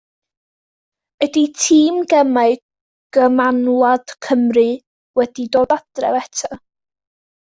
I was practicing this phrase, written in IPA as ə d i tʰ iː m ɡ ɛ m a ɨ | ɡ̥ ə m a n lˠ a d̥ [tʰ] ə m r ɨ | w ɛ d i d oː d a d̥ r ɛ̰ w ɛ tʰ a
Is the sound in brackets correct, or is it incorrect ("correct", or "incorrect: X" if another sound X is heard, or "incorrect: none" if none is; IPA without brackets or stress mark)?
incorrect: kʰ